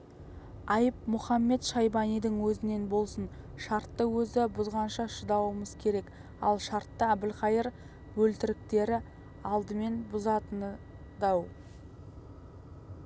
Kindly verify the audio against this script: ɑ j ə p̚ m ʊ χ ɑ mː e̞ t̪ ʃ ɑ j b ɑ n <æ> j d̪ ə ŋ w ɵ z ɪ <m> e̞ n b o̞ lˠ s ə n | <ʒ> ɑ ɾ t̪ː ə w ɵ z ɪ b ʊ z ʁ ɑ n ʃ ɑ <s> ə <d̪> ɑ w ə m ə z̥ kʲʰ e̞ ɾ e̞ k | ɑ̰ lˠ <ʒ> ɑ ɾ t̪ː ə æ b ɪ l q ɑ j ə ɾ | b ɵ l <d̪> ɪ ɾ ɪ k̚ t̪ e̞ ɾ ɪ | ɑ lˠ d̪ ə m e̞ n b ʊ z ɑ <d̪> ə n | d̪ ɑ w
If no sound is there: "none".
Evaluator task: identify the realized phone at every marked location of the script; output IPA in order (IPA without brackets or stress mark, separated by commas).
i, n, ʃ, ʃ, d̪, ʃ, t̪, t̪